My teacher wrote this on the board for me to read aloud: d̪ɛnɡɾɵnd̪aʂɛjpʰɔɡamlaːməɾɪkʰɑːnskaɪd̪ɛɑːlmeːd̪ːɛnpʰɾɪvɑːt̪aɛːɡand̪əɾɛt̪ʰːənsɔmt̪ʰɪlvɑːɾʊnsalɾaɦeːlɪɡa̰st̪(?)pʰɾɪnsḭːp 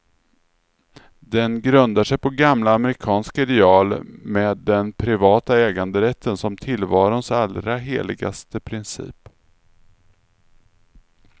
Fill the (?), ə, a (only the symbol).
ə